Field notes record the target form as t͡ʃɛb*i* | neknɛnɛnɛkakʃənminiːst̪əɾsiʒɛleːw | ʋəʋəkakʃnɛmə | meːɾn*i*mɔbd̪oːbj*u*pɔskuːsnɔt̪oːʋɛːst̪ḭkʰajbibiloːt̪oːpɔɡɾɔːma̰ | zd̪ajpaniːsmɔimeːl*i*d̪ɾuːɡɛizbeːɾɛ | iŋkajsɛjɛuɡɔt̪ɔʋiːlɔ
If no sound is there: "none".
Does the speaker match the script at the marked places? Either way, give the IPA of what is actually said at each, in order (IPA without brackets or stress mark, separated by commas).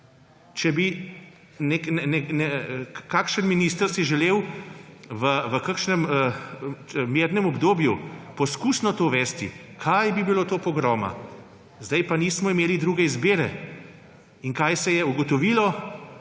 i, ɛ, u, i